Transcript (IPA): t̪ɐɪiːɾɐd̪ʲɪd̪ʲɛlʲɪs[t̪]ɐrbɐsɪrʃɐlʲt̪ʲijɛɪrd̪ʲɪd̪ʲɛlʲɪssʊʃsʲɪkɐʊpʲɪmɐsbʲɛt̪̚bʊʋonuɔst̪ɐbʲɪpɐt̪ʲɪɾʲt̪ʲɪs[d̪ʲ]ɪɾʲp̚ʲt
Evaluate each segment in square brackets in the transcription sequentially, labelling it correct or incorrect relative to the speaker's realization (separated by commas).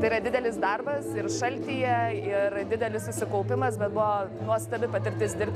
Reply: incorrect, correct